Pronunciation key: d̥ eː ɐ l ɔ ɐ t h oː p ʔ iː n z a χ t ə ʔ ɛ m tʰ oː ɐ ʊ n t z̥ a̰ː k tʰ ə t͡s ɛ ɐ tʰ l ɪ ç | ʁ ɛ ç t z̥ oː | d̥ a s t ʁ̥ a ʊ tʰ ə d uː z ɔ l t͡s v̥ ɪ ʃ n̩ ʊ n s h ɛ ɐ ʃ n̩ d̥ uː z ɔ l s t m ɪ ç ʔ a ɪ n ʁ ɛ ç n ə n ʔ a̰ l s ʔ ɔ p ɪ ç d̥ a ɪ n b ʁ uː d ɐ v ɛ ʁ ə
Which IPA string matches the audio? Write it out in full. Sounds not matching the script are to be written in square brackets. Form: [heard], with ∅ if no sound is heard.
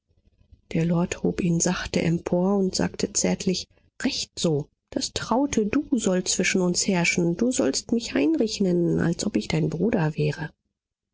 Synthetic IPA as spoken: d̥ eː ɐ l ɔ ɐ t h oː p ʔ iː n z a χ t ə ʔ ɛ m [pʰ] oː ɐ ʊ n t z̥ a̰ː k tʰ ə t͡s ɛ ɐ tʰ l ɪ ç | ʁ ɛ ç t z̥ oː | d̥ a s t ʁ̥ a ʊ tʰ ə d uː z ɔ l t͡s v̥ ɪ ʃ n̩ ʊ n s h ɛ ɐ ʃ n̩ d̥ uː z ɔ l s t m ɪ ç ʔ a ɪ n ʁ ɛ ç n ə n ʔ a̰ l s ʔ ɔ p ɪ ç d̥ a ɪ n b ʁ uː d ɐ v [ɛː] ʁ ə